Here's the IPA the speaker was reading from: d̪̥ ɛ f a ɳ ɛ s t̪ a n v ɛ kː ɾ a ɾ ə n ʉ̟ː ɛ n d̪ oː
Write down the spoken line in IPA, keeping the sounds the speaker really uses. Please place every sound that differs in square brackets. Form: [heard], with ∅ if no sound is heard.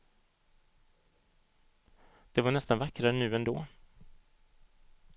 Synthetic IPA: d̪̥ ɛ [v] a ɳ ɛ s t̪ a n v [a] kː ɾ a ɾ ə n ʉ̟ː ɛ n d̪ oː